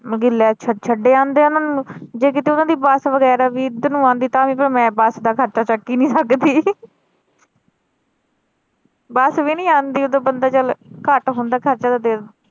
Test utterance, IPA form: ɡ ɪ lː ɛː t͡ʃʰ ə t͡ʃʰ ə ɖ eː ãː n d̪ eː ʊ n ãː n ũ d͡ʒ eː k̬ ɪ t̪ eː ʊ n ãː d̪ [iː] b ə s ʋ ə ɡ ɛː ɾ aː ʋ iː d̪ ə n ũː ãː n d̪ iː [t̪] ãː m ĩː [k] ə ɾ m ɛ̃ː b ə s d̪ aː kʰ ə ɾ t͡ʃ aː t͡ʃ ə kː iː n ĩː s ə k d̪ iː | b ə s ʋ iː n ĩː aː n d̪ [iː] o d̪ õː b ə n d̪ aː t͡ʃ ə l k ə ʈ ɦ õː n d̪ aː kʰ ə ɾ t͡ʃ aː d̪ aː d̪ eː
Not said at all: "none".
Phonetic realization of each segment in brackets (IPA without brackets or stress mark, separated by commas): iː, t̪, p, iː